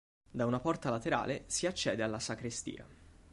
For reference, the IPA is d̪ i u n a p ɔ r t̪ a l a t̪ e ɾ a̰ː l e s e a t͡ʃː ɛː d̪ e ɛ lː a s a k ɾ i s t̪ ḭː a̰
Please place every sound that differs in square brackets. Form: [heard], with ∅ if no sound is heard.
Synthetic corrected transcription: d̪ [a] u n a p ɔ r t̪ a l a t̪ e ɾ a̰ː l e s [i] a t͡ʃː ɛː d̪ e [a] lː a s a k ɾ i s t̪ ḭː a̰